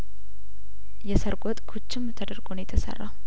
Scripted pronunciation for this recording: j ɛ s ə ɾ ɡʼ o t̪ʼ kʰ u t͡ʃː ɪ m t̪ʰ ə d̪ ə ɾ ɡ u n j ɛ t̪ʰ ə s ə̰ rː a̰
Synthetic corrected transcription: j ɛ s ə ɾ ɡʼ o t̪ʼ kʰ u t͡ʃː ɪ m t̪ʰ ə d̪ ə ɾ ɡ o n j ɛ t̪ʰ ə s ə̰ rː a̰